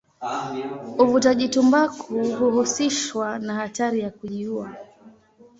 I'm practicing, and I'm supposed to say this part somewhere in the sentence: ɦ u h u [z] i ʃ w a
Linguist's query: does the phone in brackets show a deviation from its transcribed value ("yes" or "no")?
yes